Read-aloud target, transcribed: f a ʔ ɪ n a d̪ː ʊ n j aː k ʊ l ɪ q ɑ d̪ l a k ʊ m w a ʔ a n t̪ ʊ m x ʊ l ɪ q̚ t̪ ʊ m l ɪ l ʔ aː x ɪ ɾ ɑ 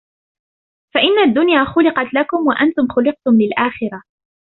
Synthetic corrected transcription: f a ʔ ɪ nː a d̪ː ʊ n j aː x ʊ l ɪ q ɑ t̪ l a k ʊ m w a ʔ a n t̪ ʊ m x ʊ l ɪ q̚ t̪ ʊ m l ɪ l ʔ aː x ɪ ɾ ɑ